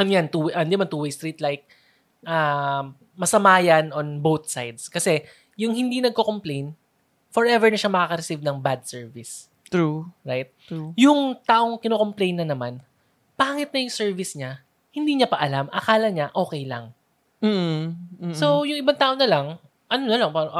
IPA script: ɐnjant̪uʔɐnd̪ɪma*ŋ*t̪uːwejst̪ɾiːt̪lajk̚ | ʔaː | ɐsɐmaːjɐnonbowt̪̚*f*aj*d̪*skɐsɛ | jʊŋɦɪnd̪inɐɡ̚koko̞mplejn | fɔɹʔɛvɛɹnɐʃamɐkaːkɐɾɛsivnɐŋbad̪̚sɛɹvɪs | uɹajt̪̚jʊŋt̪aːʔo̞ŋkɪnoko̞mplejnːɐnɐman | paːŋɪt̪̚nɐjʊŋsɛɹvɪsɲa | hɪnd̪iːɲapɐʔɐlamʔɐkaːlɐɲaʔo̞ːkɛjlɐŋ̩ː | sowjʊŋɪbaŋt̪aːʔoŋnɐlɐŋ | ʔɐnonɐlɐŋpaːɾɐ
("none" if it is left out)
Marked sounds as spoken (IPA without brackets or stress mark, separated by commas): n, s, d̪